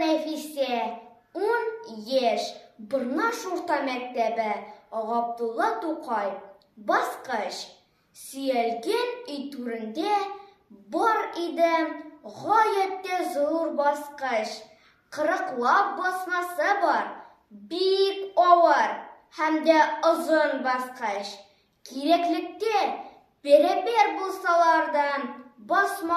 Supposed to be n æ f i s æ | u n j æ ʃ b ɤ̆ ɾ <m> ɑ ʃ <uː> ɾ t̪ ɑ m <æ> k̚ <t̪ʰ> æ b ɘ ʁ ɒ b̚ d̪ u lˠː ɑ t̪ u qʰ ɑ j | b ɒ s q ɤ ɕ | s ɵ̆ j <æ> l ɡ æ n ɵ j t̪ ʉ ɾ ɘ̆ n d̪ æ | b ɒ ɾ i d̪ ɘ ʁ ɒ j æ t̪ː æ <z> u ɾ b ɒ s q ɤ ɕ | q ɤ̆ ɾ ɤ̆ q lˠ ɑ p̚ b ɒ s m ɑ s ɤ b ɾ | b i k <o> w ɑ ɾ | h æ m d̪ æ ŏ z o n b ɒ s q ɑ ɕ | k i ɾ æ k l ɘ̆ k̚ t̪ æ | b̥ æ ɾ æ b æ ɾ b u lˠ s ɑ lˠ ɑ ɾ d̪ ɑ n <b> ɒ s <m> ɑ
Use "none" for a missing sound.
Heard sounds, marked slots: n, u, æ, t̪, æ, z, ɒ, b, m

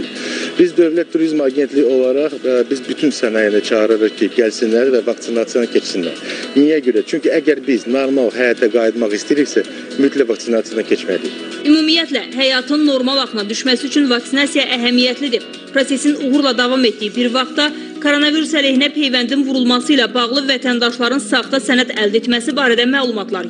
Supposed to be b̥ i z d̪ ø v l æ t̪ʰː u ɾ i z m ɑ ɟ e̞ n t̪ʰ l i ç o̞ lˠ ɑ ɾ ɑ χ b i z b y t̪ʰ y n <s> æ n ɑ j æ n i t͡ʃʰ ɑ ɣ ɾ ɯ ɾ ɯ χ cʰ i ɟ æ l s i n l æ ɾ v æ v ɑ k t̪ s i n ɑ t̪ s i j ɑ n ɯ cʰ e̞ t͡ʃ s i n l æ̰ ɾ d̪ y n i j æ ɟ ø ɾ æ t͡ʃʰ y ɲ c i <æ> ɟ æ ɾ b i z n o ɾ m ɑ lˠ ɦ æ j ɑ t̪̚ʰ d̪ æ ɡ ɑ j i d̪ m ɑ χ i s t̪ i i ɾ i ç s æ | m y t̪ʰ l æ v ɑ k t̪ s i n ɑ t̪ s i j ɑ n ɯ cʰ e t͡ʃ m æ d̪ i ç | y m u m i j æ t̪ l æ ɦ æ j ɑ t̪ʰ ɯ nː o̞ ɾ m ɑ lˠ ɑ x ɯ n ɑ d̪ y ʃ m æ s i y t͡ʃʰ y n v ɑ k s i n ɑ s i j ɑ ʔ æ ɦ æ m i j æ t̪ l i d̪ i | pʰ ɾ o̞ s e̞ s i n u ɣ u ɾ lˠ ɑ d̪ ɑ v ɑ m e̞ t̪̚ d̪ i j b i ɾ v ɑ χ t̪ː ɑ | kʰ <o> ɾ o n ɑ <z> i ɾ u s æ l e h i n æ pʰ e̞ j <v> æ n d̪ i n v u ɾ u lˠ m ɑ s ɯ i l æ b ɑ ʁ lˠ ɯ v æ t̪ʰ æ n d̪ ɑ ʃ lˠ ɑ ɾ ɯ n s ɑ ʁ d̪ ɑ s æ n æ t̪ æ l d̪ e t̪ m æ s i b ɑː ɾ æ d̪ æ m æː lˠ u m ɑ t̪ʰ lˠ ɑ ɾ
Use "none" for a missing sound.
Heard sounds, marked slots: s, æ, o, v, v

